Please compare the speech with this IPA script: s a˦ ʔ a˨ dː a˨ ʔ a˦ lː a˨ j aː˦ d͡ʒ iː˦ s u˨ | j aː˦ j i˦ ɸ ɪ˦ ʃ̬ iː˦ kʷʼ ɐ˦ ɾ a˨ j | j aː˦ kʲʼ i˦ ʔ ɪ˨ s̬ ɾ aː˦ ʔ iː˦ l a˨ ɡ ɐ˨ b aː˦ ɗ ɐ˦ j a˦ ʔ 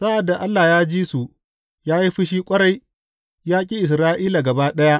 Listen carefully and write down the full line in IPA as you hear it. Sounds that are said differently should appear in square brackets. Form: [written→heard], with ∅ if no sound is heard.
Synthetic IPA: s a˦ ʔ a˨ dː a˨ ʔ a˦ lː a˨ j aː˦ d͡ʒ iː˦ s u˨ | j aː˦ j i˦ ɸ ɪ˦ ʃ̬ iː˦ kʷʼ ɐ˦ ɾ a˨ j | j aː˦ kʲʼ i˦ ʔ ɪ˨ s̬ ɾ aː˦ ʔ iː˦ l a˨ ɡ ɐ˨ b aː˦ ɗ ɐ˦ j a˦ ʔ